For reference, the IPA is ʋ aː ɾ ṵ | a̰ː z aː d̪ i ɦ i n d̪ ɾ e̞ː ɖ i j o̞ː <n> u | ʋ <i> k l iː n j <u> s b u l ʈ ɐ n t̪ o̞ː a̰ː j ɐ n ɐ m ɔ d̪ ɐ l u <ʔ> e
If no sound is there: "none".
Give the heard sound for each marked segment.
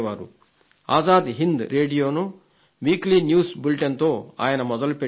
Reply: n, iː, uː, p

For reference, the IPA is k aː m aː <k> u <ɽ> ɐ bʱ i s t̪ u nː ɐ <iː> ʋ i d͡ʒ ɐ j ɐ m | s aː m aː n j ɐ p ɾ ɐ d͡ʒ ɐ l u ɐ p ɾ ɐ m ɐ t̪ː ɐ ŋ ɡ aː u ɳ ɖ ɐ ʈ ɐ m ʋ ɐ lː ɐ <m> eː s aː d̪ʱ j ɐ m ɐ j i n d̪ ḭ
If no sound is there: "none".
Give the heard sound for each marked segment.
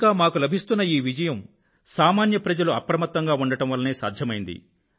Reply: k, l, iː, n

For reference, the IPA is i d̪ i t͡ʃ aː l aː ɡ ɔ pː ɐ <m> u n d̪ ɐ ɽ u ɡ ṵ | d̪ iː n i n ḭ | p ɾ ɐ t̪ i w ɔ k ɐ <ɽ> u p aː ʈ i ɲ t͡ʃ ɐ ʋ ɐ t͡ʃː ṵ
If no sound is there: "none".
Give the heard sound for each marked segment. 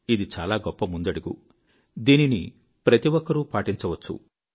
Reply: m, ɾ

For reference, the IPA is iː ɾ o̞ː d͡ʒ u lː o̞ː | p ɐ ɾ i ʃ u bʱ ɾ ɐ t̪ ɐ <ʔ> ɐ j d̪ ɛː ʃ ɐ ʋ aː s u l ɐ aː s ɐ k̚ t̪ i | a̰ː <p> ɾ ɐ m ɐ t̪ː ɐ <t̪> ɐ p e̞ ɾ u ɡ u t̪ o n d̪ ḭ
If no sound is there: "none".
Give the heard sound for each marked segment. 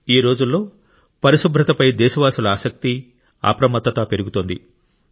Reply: p, p, t̪

